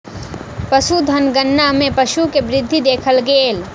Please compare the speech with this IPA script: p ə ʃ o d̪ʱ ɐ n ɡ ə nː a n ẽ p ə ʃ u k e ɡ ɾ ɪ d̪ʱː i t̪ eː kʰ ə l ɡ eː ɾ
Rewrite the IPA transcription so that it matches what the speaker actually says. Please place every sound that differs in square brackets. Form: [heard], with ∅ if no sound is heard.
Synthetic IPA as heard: p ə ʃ [u] d̪ʱ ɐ n ɡ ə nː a [m] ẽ p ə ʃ u k e [b] ɾ ɪ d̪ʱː i [d̪] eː kʰ ə l ɡ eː [l]